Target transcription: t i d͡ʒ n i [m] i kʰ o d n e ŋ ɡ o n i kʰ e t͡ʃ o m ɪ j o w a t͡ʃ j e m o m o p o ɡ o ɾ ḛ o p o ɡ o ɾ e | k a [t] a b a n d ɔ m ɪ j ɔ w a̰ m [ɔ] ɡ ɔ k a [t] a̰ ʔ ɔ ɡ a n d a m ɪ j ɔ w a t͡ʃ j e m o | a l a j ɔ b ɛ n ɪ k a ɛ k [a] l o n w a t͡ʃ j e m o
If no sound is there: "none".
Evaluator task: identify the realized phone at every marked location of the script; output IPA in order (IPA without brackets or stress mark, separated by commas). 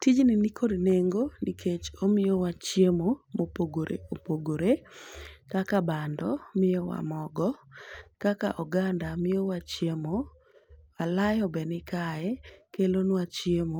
n, k, ɔ, k, e